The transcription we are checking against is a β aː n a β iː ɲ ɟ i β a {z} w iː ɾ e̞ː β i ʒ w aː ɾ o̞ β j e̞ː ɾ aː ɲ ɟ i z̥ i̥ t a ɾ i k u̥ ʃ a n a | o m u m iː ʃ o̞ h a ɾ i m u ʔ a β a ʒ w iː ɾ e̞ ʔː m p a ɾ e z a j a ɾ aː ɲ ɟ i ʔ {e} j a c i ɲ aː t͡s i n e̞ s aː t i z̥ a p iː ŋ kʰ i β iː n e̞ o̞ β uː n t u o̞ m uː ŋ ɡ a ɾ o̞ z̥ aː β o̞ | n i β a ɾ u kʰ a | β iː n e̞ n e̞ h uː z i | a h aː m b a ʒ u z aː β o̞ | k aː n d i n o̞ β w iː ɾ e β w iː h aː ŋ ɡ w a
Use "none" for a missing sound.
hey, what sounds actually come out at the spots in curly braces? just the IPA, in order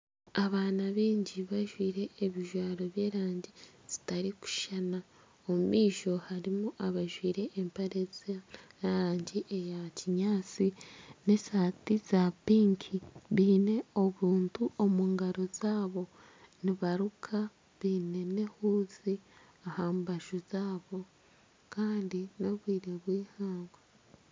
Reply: ʒ, e

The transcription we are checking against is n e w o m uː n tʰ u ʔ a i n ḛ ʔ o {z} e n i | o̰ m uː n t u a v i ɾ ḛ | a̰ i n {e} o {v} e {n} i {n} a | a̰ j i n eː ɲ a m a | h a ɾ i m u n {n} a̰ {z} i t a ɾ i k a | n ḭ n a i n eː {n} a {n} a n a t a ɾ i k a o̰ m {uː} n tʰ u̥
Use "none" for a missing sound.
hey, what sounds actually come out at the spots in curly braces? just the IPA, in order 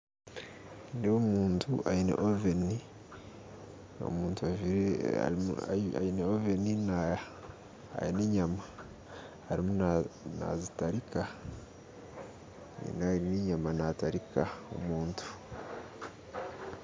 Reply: v, e, v, n, n, n, z, ɲ, m, uː

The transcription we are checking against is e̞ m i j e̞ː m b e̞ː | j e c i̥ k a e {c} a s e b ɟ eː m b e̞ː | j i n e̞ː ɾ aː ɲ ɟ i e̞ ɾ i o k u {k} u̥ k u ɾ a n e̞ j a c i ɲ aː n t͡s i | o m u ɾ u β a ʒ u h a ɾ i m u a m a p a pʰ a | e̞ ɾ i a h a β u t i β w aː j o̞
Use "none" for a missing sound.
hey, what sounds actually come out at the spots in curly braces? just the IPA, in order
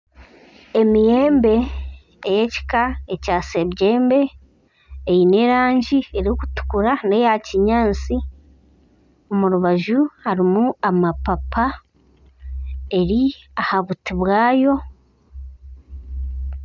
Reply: c, t

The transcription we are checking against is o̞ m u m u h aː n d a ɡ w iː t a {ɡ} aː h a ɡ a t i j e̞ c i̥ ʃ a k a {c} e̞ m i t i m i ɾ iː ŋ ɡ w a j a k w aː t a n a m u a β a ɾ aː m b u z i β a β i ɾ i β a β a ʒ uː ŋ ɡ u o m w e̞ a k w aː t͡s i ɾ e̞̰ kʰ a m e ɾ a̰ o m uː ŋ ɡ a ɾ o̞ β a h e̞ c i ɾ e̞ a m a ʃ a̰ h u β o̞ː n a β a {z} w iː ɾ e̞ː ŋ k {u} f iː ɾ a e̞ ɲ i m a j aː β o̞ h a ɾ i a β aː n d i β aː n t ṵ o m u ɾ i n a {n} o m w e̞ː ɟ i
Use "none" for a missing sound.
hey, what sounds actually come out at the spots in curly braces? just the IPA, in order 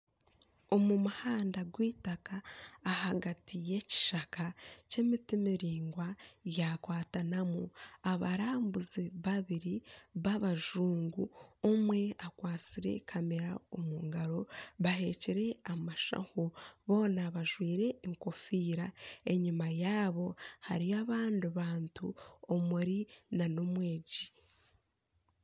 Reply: k, c, ʒ, o, n

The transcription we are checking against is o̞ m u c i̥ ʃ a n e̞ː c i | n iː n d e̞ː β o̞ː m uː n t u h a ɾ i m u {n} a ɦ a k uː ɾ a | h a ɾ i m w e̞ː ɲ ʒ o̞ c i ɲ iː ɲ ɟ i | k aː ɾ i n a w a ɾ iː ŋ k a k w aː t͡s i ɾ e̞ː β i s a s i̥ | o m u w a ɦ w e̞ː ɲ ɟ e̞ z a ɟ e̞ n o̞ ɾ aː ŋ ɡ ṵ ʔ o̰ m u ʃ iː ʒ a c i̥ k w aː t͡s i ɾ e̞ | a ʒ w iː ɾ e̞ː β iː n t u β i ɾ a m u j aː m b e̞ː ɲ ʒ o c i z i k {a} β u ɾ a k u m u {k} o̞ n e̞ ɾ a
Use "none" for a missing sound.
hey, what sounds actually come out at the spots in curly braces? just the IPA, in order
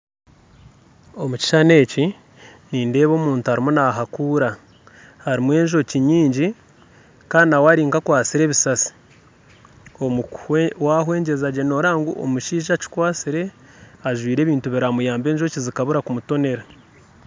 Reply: n, a, t

